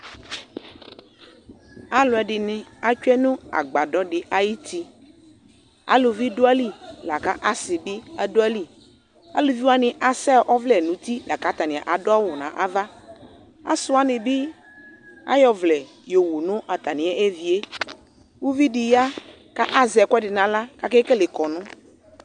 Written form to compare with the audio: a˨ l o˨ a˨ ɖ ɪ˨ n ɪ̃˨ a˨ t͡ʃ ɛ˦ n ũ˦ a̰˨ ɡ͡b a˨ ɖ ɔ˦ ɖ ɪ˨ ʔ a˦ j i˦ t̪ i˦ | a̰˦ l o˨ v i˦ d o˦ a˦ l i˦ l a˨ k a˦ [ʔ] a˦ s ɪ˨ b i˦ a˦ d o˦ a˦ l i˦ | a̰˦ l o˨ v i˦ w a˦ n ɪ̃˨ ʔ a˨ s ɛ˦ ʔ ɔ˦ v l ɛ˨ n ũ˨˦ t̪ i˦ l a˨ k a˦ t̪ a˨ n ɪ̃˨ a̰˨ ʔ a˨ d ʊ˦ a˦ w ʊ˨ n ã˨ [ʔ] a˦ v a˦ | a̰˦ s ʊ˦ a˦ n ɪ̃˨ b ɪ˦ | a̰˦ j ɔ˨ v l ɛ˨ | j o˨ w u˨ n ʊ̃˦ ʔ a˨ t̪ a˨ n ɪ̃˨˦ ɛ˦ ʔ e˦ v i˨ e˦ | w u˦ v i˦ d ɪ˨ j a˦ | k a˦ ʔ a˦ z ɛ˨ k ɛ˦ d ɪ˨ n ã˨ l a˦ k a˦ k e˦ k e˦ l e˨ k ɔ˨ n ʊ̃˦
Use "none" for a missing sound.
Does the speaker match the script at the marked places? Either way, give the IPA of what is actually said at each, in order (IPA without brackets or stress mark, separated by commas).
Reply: ʔ, ʔ